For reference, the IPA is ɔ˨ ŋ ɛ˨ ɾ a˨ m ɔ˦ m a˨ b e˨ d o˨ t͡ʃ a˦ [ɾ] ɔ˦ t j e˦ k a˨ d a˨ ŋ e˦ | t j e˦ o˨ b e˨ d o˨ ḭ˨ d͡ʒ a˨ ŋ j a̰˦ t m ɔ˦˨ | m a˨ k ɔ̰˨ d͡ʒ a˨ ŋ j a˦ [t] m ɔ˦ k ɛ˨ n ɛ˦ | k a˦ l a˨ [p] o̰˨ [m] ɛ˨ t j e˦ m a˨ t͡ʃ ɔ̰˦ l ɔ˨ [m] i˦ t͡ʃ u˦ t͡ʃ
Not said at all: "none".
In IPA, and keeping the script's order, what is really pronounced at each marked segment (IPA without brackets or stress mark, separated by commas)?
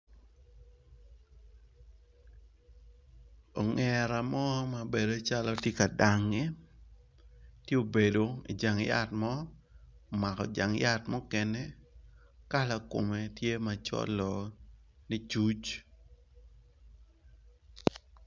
l, t, k, m, n